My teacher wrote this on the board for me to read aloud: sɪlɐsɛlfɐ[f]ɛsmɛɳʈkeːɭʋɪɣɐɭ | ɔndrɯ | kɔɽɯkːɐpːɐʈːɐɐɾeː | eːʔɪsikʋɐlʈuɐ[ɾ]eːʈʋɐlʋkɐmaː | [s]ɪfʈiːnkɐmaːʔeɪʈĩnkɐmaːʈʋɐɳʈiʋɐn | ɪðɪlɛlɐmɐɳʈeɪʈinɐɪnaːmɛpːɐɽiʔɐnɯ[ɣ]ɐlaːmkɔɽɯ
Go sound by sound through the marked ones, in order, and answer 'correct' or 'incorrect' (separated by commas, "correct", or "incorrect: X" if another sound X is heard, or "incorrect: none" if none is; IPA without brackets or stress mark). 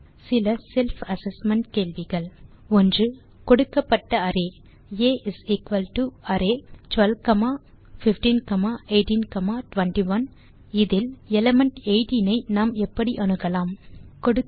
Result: incorrect: s, correct, incorrect: f, correct